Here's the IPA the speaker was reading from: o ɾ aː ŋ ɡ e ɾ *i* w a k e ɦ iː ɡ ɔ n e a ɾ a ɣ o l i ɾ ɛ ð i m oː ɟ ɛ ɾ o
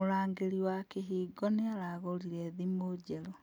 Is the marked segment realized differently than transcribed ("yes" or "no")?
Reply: no